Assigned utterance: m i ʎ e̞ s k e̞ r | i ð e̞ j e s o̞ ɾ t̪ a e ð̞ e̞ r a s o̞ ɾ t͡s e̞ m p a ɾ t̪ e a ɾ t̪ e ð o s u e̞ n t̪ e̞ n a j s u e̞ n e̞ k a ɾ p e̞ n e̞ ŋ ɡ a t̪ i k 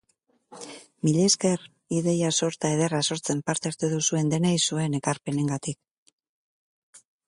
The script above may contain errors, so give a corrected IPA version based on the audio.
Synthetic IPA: m i ʎ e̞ s k e̞ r | i ð e̞ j a s o̞ ɾ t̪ a e ð̞ e̞ r a s o̞ ɾ t͡s e̞ m p a ɾ t̪ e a ɾ t̪ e ð u s u e̞ n d̪ e̞ n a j s u e̞ n e̞ k a ɾ p e̞ n e̞ ŋ ɡ a t̪ i k